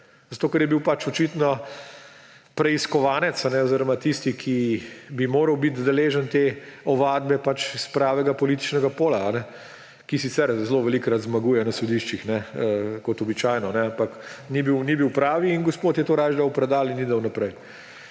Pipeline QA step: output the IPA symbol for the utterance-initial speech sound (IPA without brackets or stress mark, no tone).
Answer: z